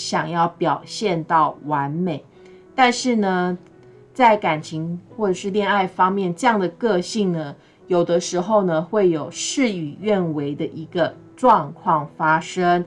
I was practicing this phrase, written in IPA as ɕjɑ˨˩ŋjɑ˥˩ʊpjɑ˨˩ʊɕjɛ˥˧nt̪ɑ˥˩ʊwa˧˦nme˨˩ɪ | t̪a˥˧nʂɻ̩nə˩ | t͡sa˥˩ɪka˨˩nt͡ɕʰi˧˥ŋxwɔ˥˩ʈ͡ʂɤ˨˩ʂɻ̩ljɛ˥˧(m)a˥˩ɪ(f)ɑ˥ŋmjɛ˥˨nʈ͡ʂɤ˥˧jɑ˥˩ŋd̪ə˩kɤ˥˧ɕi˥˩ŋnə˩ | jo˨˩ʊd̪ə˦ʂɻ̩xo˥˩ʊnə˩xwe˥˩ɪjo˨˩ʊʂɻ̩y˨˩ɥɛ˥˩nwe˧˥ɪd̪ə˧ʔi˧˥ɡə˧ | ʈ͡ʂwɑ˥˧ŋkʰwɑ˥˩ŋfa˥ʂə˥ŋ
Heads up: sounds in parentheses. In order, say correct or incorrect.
incorrect: n, correct

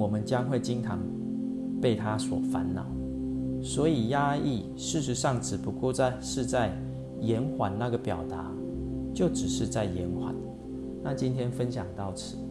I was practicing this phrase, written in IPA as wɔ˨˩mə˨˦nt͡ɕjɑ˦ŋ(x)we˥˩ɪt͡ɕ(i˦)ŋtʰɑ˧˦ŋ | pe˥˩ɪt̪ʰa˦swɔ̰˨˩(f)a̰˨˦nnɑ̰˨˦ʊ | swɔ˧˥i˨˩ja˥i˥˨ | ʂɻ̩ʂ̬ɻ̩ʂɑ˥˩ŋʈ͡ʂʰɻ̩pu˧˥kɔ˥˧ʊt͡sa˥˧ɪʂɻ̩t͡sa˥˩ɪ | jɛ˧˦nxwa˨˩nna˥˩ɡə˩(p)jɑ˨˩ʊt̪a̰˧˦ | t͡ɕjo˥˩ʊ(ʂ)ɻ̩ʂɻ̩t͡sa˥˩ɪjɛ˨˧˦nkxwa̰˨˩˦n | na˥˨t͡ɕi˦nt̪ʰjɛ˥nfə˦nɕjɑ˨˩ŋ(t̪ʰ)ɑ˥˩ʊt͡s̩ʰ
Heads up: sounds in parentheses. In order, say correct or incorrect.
correct, correct, correct, correct, incorrect: ʈ͡ʂ, incorrect: t̪

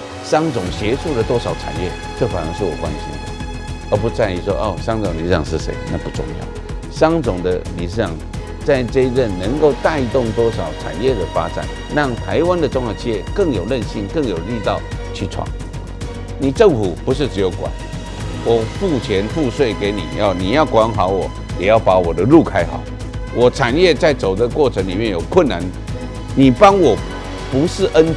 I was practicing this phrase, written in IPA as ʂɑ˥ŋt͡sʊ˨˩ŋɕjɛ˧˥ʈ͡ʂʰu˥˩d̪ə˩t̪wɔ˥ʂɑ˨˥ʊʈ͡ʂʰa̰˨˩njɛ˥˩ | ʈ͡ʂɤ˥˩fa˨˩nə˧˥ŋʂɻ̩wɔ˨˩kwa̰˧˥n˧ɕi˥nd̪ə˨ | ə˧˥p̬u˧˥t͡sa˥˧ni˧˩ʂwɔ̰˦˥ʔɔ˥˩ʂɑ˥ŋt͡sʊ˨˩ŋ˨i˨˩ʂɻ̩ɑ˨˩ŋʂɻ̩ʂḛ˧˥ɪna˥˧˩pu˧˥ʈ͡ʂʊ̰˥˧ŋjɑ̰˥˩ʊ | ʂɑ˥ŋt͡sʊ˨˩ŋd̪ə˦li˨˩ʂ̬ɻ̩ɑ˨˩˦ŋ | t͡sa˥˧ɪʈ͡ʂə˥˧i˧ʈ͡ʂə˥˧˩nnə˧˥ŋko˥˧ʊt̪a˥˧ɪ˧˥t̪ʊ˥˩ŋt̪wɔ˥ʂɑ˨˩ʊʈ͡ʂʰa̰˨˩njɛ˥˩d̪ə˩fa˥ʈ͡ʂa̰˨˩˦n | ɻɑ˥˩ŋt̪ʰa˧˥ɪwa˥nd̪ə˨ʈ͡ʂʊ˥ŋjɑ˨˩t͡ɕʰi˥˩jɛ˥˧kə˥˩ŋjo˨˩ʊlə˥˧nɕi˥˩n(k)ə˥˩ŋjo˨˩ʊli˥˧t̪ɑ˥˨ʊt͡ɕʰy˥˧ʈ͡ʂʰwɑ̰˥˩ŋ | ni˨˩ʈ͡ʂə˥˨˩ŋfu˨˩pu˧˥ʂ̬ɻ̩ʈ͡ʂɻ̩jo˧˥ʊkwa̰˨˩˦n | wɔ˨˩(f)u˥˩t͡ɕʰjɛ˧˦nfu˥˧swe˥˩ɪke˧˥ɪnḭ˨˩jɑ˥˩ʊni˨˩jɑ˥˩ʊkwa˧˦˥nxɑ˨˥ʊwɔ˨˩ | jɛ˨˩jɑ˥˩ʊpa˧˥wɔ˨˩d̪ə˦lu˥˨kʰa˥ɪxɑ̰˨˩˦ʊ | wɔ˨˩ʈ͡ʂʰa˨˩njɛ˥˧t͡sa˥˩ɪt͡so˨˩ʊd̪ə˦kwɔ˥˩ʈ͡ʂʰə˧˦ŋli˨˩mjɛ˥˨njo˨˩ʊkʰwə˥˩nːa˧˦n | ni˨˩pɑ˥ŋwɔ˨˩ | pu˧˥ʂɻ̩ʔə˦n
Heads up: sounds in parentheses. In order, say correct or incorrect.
correct, correct

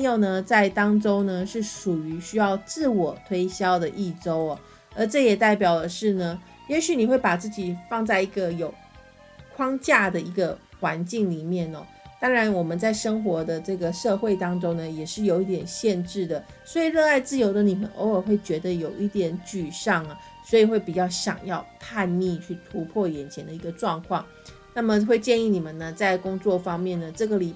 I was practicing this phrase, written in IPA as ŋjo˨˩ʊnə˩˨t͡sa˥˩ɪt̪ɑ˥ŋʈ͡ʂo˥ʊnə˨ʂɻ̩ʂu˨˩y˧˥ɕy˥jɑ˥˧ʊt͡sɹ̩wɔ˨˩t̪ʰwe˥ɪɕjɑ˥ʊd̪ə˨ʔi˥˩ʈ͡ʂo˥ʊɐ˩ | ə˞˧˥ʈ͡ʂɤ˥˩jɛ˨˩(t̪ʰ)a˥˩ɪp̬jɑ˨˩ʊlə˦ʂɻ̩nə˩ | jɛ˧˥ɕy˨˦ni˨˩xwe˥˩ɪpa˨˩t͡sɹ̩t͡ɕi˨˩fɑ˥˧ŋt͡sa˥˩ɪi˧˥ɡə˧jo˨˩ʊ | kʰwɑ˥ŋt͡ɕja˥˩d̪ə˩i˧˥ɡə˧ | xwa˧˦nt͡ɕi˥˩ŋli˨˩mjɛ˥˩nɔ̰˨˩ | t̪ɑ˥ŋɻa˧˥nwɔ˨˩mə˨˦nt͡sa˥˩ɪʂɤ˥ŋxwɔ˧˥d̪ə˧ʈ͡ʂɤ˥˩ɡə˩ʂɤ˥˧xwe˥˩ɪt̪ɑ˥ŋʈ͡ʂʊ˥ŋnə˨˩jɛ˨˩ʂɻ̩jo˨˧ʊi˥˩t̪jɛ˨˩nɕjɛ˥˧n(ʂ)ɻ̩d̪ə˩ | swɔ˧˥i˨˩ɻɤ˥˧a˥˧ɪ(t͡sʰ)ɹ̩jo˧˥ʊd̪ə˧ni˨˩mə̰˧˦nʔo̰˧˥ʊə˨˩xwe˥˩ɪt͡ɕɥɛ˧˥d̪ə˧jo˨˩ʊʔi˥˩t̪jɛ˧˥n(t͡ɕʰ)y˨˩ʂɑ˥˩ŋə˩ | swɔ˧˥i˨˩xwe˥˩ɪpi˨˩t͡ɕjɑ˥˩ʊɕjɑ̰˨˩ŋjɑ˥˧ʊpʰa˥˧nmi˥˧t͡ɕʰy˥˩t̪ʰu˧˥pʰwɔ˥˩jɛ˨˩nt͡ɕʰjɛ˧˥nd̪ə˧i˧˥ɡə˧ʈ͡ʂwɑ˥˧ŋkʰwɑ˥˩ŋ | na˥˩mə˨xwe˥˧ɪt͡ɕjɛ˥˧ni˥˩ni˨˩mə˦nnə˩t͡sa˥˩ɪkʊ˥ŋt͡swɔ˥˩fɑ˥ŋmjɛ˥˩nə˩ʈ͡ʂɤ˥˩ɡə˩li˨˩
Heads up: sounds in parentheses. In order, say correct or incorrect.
incorrect: t̪, incorrect: ʈ͡ʂ, incorrect: t͡s, incorrect: t͡ɕ

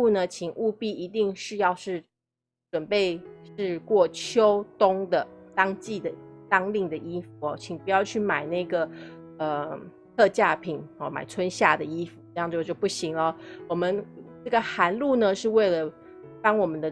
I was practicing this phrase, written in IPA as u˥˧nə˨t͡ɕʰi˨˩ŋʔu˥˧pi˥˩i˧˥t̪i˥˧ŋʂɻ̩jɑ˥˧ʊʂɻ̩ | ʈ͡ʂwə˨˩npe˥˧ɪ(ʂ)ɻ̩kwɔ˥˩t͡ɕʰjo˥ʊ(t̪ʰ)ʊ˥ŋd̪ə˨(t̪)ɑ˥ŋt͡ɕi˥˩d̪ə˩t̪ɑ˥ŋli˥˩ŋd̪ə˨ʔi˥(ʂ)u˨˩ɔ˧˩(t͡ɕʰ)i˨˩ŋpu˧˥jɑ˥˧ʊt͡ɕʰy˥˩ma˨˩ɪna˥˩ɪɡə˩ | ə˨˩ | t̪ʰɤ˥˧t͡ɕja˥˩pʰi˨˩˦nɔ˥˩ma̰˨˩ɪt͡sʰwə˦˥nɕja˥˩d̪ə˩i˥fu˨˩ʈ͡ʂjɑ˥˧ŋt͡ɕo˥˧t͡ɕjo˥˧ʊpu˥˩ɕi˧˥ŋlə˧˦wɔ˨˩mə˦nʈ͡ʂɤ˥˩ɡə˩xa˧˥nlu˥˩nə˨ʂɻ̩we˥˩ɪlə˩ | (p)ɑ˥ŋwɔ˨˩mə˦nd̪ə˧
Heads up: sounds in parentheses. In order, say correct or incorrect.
correct, incorrect: t̪, correct, incorrect: f, correct, correct

